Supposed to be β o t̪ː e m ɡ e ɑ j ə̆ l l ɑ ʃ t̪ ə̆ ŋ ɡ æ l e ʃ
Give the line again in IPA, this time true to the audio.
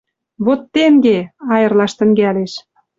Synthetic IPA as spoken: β o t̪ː e ŋ ɡ e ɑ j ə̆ r l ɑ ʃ t̪ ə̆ ŋ ɡ æ l e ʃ

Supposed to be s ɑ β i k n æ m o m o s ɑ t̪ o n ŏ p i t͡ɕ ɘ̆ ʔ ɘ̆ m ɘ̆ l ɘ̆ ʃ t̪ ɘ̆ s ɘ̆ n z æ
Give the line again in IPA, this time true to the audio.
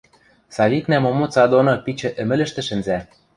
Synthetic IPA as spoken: s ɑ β i k n æ m o m o t͡s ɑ d̪ o n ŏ p i t͡ɕ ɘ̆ ʔ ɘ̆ m ɘ̆ l ɘ̆ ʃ t̪ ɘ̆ ʃ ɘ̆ n z æ

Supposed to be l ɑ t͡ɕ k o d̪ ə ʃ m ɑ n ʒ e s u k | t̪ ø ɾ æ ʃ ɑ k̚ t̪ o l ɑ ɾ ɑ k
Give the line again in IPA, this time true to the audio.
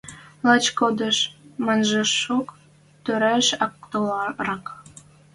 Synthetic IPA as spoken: l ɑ t͡ɕ k o d̪ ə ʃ m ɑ n ʒ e ʃ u k | t̪ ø ɾ æ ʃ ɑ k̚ t̪ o l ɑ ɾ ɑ k

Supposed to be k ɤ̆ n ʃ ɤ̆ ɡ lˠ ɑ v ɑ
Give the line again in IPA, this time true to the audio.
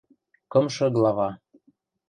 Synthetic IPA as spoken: k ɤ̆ m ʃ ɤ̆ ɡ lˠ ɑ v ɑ

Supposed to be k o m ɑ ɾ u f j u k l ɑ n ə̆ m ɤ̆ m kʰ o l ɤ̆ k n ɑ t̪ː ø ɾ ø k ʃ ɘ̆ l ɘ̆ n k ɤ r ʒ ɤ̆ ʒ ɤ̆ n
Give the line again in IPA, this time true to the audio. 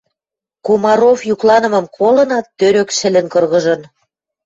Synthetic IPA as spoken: k o m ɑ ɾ o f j u k l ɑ n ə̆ m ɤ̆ m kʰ o l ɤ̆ n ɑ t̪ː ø ɾ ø k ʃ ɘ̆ l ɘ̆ n k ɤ r ɣ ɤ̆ ʒ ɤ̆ n

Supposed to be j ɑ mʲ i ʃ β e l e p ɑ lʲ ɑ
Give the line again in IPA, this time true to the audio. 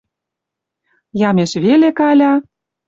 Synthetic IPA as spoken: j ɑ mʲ e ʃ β e l e k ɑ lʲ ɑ

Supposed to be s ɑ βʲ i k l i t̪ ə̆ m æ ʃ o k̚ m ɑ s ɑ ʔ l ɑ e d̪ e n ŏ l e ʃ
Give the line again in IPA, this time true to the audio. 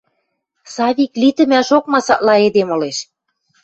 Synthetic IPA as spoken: s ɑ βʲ i k l i t̪ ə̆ m æ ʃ o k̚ m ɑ s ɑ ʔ l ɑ e d̪ e m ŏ l e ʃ

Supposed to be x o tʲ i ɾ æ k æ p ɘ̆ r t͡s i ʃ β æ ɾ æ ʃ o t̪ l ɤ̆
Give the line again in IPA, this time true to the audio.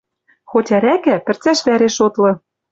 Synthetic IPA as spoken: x o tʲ æ ɾ æ k æ p ɘ̆ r t͡s æ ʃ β æ ɾ e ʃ o t̪ l ɤ̆

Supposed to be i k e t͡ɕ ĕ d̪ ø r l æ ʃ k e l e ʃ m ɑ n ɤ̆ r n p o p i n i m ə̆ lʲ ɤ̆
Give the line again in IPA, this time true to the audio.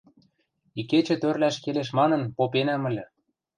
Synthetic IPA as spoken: i k e t͡ɕ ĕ t̪ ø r l æ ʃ k e l e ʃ m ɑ n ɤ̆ n p o p e n æ m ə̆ lʲ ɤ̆

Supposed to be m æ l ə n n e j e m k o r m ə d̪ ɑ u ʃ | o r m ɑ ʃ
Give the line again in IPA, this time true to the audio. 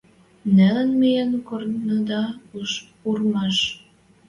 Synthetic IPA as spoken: n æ l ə n m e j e n k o r n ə d̪ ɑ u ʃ | u r m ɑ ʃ

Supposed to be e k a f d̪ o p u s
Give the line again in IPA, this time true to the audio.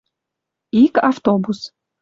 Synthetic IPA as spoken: i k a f t̪ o b u s

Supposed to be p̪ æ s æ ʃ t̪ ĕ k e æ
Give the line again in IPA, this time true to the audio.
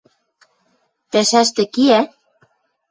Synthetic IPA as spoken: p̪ æ ʃ æ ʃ t̪ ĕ k i æ

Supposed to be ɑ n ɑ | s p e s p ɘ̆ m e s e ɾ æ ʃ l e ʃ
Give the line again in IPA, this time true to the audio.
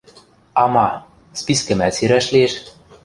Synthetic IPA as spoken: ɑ m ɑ | s p i s k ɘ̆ m æ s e ɾ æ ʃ l e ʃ

